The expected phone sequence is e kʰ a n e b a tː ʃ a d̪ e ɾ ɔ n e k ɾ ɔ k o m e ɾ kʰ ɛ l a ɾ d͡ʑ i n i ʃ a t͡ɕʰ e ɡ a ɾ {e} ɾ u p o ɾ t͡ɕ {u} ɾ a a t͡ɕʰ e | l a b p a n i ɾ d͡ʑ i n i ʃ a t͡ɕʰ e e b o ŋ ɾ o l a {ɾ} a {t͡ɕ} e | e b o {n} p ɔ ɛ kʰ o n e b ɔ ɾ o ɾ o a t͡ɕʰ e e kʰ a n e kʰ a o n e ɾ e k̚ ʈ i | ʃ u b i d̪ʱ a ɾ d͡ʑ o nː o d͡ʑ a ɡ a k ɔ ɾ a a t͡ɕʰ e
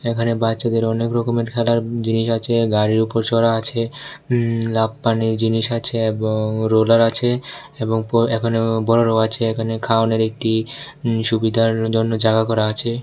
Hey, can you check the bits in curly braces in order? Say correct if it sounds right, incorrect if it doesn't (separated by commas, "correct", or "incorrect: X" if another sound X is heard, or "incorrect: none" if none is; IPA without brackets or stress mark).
incorrect: i, incorrect: ɔ, correct, incorrect: t͡ɕʰ, incorrect: ŋ